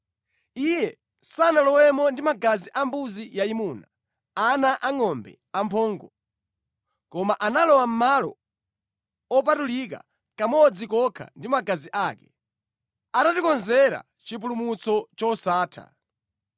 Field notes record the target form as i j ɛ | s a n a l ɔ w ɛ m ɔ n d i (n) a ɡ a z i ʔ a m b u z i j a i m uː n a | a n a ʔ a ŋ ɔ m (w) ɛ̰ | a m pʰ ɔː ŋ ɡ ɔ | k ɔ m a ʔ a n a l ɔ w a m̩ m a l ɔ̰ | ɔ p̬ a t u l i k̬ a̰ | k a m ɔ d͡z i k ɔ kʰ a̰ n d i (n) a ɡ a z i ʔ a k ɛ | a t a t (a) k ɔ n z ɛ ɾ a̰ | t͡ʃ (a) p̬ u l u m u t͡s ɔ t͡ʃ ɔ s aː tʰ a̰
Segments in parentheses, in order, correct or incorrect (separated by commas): incorrect, incorrect, incorrect, incorrect, incorrect